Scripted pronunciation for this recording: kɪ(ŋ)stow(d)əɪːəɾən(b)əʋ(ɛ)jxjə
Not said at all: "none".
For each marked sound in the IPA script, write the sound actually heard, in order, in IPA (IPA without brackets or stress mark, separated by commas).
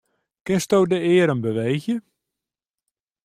n, d, b, e